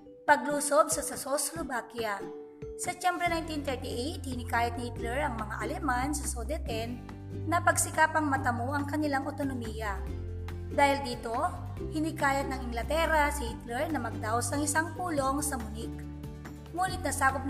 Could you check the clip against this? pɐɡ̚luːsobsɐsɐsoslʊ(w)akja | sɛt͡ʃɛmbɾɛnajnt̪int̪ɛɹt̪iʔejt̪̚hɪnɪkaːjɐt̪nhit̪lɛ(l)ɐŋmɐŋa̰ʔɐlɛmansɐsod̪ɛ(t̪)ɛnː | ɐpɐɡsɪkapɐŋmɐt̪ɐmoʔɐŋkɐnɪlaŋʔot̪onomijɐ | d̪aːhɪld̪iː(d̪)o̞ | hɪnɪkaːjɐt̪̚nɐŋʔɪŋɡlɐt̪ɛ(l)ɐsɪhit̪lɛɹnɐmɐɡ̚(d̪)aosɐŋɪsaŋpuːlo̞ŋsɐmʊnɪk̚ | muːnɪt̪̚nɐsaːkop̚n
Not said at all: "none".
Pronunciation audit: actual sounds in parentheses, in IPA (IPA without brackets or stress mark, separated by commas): b, ɹ, t̪, t̪, ɾ, d̪